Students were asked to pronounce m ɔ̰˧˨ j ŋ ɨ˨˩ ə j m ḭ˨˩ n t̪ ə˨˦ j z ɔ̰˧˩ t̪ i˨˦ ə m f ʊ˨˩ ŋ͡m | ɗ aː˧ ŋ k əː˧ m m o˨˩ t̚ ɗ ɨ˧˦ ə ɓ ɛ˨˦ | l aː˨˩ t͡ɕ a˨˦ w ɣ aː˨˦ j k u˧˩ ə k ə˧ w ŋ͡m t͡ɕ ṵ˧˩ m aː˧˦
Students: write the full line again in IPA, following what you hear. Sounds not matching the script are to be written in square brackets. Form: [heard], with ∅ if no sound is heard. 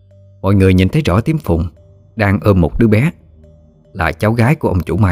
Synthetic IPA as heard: m ɔ̰˧˨ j ŋ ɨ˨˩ ə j [ɲ] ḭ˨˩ n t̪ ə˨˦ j z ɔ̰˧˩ t̪ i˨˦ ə m f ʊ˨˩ ŋ͡m | ɗ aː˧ ŋ [ʔ] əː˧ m m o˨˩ t̚ ɗ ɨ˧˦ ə ɓ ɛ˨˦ | l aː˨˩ t͡ɕ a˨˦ w ɣ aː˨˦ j k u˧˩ ə [ʔ] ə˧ w ŋ͡m t͡ɕ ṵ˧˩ m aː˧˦